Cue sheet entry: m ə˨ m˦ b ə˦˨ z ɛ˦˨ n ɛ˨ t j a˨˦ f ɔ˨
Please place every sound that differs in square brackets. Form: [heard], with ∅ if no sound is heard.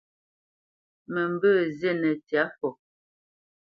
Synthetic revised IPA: m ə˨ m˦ b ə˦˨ z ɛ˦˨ n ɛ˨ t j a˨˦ f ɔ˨